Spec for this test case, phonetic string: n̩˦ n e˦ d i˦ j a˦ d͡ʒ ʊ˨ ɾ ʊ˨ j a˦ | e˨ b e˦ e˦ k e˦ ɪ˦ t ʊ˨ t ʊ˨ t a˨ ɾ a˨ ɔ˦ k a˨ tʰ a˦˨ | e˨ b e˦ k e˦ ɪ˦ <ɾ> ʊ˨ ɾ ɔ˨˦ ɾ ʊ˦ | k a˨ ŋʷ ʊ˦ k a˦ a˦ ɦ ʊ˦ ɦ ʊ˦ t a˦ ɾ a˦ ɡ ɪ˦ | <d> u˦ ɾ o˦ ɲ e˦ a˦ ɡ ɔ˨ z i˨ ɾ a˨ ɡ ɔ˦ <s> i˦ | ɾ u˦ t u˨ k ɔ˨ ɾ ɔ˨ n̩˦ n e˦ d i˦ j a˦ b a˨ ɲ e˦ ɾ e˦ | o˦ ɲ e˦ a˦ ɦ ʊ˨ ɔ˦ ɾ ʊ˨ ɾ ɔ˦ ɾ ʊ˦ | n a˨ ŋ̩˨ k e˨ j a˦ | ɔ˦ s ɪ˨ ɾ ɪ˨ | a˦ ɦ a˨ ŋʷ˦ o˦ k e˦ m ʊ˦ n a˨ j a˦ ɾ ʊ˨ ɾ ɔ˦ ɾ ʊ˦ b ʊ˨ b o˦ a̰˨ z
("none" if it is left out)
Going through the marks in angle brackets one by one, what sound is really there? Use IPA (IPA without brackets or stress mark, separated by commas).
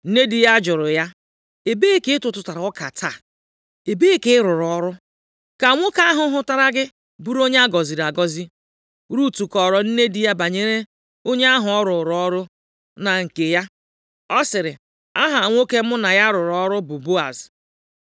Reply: ɾ, b, z